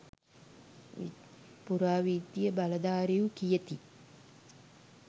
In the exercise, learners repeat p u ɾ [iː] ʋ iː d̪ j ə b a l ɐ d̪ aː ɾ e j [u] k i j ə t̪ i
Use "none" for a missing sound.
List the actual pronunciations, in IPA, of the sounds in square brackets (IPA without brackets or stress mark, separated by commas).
aː, u